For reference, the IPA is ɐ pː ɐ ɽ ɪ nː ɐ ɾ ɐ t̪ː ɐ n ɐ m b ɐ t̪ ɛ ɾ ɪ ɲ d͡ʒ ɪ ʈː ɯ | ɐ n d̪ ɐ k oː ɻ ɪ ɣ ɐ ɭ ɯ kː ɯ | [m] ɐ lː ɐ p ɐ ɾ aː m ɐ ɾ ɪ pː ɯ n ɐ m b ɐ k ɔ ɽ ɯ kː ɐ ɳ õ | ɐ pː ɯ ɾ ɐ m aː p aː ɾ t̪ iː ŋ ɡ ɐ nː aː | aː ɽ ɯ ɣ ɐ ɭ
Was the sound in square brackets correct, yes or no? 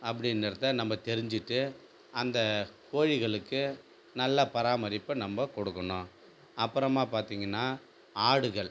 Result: no